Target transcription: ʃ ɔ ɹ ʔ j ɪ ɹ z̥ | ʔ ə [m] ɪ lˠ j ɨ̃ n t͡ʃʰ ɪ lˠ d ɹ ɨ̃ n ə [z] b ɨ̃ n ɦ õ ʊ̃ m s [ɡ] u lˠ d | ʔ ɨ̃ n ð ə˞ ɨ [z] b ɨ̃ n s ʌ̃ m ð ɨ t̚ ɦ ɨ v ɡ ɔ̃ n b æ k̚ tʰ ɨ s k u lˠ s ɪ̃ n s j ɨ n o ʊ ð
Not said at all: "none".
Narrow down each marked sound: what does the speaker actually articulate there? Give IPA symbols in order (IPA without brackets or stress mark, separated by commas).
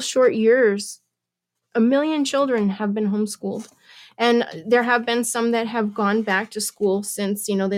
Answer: m, v, k, v